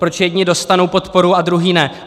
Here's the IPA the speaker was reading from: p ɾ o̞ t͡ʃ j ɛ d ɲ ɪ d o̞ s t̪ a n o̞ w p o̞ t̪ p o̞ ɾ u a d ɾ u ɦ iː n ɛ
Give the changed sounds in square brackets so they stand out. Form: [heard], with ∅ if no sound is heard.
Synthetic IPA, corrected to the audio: p ɾ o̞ t͡ʃ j ɛ d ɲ ɪ d o̞ s t̪ a n o̞ w p o̞ t̪ p o̞ ɾ u a d ɾ u ɦ iː n ɛ